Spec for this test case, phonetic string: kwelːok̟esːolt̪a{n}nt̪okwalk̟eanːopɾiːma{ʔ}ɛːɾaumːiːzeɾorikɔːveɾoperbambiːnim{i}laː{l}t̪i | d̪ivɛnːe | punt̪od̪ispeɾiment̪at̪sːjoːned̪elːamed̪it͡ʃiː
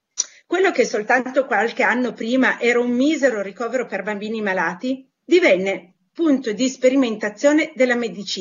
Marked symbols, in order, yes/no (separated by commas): yes, yes, no, no